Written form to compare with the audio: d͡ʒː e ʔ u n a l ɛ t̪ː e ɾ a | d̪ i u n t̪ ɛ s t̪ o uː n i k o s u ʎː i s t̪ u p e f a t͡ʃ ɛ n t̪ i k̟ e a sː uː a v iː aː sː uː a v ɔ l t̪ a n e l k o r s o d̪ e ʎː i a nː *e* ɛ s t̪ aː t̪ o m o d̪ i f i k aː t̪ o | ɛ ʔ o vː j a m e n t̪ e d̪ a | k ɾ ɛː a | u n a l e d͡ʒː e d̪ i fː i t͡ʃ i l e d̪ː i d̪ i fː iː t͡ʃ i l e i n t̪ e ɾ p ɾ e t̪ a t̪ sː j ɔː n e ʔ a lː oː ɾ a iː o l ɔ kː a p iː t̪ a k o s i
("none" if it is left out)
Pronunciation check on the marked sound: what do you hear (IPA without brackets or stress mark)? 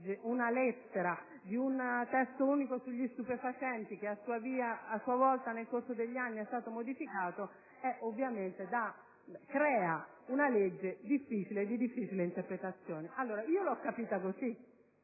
i